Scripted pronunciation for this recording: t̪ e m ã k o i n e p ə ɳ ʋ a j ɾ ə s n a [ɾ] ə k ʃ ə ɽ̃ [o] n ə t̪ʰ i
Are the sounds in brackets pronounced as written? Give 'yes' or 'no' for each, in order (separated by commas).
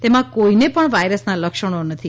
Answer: no, yes